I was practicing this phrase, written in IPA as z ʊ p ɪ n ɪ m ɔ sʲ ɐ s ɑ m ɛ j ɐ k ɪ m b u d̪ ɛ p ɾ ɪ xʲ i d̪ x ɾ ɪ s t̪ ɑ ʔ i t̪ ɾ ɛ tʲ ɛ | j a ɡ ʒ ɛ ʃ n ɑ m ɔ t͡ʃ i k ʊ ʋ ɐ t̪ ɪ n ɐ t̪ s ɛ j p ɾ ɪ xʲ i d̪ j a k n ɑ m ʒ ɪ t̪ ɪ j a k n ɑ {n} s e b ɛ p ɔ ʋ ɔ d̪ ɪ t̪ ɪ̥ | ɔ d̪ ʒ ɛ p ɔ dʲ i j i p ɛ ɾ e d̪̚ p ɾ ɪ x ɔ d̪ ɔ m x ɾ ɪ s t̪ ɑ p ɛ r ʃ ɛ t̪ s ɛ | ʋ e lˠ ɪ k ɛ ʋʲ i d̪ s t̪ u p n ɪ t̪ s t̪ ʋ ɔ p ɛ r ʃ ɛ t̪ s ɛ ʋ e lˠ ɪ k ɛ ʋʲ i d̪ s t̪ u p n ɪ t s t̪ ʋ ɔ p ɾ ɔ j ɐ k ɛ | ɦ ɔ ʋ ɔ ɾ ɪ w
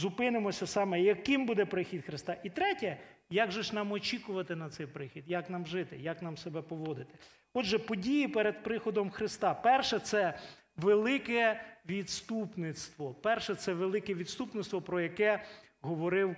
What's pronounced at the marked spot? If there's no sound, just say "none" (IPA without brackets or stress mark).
m